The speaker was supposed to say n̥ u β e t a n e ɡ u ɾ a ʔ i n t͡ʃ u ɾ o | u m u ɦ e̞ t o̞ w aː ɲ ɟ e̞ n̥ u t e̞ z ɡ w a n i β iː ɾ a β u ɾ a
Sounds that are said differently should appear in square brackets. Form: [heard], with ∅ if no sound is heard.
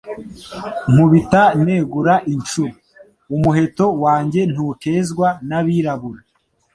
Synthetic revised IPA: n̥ u β [i] t a n e ɡ u ɾ a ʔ i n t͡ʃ u ɾ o | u m u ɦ e̞ t o̞ w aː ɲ ɟ e̞ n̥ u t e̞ z ɡ w a n [a] β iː ɾ a β u ɾ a